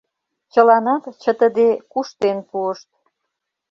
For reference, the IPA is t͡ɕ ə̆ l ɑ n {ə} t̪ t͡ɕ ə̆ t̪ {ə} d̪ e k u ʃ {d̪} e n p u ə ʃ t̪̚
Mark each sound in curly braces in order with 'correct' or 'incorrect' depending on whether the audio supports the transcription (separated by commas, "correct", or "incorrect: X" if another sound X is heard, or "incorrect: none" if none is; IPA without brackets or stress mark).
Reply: incorrect: ɑ, correct, incorrect: t̪